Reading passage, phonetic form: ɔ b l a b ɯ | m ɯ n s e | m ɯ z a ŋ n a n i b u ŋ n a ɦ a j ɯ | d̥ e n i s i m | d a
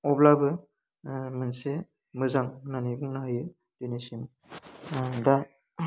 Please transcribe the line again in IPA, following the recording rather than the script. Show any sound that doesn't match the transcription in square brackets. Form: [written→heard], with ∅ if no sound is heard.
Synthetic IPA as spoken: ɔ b l a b ɯ | m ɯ n s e | m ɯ z a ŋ n a n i b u ŋ n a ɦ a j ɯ | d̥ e n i s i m | d a

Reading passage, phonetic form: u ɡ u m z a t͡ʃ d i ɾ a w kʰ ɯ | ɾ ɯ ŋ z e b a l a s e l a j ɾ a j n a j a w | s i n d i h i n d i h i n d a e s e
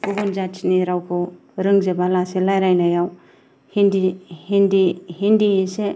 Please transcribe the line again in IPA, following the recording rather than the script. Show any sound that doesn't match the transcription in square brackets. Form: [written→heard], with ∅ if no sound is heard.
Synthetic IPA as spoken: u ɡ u [m→n] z a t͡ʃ [d→n] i ɾ a w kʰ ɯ | ɾ ɯ ŋ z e b a l a s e l a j ɾ a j n a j a w | [s→h] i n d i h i n d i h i n d [a→i] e s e

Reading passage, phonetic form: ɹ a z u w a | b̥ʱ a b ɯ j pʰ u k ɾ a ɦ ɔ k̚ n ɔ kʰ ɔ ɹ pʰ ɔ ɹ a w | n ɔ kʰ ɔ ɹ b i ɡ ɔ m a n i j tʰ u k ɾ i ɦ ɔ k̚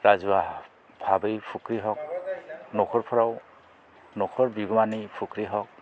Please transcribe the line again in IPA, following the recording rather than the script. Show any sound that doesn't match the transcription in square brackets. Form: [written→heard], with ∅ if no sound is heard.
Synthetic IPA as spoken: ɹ a z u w a | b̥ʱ a b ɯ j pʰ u k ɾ [a→i] ɦ ɔ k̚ n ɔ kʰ ɔ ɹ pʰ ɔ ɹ a w | n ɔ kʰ ɔ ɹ b i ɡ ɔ m a n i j [tʰ→pʰ] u k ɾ i ɦ ɔ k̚

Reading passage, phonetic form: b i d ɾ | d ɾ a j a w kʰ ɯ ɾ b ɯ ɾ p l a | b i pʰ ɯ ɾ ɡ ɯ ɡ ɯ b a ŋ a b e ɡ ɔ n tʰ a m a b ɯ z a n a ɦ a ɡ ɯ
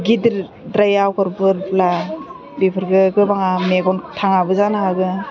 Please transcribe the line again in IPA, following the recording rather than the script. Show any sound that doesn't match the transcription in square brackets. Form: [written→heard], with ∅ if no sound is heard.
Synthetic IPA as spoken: [b→ɡ] i d ɾ | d ɾ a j a w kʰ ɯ ɾ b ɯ ɾ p l a | b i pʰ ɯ ɾ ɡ ɯ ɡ ɯ b a ŋ a [b→m] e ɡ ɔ n tʰ a [m→ŋ] a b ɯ z a n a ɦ a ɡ ɯ

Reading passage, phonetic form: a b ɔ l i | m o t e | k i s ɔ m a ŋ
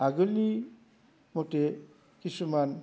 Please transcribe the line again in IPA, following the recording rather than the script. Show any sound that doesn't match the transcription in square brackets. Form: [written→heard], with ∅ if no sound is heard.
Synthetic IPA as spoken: a [b→ɡ] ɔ l i | m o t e | k i s [ɔ→u] m a [ŋ→n]

